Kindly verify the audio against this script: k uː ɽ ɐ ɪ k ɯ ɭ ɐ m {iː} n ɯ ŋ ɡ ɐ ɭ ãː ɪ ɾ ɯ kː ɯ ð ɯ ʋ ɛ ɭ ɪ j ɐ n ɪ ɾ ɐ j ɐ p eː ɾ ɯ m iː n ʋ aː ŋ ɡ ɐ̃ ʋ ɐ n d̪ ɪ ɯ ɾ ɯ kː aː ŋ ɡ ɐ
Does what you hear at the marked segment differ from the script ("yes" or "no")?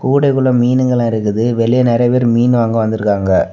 no